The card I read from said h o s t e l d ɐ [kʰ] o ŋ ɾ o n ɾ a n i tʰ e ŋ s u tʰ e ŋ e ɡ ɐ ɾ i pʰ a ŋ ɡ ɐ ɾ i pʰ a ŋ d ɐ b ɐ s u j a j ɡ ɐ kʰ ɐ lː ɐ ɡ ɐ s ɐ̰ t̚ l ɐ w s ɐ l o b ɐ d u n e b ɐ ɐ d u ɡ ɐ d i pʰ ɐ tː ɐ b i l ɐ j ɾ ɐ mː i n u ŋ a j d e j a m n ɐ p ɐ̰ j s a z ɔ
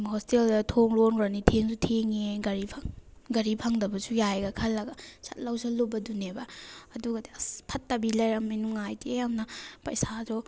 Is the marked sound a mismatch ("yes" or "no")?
yes